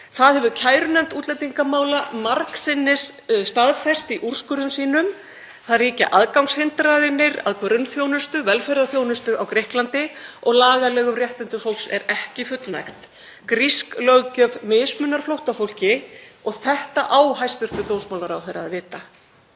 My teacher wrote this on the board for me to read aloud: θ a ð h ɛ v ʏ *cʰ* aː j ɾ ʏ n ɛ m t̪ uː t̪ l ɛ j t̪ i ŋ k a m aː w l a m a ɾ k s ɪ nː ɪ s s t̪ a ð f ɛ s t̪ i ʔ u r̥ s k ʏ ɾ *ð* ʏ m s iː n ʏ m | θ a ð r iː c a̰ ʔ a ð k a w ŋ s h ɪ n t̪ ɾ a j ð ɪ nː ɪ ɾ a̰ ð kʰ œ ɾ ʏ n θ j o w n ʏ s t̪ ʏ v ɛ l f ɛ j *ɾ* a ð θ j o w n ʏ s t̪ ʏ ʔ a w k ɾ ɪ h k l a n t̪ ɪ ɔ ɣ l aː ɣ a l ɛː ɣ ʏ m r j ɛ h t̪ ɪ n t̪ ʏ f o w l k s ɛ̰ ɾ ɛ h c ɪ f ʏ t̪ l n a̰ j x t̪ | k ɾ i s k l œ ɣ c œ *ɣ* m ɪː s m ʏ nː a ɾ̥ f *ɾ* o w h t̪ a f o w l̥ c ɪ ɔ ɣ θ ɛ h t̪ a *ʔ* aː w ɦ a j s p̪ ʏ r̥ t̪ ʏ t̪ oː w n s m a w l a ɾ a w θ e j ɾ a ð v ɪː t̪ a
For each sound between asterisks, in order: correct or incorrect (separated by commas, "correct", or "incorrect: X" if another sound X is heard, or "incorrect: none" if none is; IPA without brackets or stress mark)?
correct, correct, correct, incorrect: v, incorrect: l, correct